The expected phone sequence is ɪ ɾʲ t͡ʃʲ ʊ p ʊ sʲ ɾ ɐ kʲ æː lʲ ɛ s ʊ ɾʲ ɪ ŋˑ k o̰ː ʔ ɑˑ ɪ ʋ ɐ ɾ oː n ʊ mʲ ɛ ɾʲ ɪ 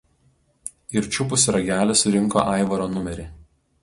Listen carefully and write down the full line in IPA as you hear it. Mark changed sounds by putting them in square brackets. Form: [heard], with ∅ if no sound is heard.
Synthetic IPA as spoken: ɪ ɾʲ t͡ʃʲ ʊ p ʊ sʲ ɾ ɐ [ɡʲ] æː lʲ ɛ s ʊ ɾʲ ɪ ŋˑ k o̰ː ʔ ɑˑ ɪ ʋ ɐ ɾ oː n ʊ mʲ ɛ ɾʲ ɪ